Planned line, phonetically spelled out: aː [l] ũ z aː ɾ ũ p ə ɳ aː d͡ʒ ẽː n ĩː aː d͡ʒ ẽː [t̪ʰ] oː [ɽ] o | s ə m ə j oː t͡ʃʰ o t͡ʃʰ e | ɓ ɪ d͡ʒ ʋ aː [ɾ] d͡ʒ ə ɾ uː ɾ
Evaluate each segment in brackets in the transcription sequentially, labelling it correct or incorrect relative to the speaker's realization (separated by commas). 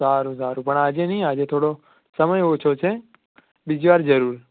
incorrect, correct, correct, correct